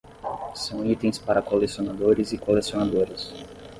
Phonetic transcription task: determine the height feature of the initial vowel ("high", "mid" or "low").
low